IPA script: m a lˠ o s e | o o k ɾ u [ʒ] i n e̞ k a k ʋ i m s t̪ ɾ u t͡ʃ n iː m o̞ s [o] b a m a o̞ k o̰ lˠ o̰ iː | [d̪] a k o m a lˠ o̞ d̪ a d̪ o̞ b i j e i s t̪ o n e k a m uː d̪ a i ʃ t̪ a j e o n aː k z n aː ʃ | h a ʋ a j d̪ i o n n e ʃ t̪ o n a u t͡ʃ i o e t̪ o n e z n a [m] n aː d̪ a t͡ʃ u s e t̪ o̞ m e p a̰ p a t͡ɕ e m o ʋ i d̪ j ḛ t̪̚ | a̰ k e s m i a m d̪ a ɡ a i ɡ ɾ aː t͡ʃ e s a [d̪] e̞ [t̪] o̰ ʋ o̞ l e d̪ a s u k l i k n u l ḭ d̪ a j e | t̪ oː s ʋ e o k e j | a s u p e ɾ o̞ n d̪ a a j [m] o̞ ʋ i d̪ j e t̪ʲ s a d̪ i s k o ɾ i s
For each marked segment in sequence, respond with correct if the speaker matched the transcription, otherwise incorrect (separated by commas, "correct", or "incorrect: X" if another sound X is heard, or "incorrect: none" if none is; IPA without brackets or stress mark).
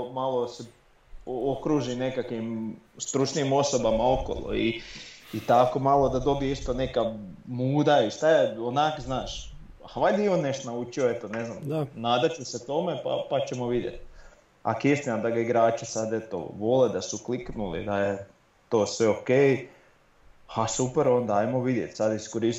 correct, correct, incorrect: t̪, correct, correct, correct, correct